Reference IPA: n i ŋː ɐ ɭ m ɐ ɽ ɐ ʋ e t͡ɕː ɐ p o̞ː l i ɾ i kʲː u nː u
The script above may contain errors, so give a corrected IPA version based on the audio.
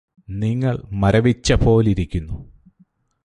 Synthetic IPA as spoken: n i ŋː ɐ ɭ m ɐ ɾ ɐ ʋ i t͡ɕː ɐ p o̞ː l i ɾ i kʲː u nː u